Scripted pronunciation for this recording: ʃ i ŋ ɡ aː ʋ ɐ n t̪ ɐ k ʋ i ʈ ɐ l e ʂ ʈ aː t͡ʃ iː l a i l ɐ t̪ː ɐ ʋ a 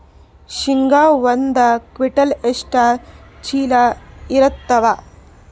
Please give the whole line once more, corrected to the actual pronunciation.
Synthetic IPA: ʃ i ŋ ɡ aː ʋ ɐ n d̪ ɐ k ʋ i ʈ ɐ l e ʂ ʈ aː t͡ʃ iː l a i ɾ ɐ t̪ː ɐ ʋ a